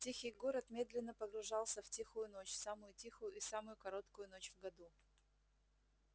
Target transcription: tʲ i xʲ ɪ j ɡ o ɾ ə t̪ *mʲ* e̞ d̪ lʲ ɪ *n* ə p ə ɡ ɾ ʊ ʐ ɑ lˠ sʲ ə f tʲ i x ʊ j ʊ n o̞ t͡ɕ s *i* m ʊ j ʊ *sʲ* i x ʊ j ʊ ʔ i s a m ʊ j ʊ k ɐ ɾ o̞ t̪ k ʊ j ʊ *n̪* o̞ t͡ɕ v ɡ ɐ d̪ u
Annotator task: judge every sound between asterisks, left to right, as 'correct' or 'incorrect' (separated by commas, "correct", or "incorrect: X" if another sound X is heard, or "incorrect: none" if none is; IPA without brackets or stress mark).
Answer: correct, incorrect: nː, incorrect: a, incorrect: tʲ, correct